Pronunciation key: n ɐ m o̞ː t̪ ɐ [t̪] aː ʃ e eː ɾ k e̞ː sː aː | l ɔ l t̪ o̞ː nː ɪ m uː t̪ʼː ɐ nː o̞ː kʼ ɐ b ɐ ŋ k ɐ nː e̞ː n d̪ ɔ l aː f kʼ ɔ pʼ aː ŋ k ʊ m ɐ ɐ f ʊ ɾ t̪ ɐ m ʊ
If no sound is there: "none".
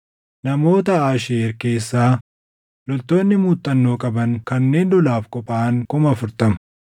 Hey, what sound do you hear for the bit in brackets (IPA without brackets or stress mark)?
none